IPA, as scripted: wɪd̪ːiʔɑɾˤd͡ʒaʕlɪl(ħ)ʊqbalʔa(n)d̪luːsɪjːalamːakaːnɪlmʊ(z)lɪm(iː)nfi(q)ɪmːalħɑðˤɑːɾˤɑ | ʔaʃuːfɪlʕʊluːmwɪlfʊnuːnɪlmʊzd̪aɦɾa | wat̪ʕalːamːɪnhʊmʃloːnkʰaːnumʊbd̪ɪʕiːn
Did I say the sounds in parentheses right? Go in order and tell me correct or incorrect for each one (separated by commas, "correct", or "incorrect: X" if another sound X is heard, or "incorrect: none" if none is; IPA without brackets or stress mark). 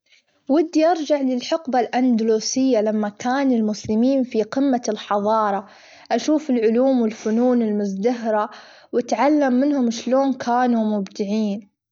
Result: correct, correct, incorrect: s, correct, correct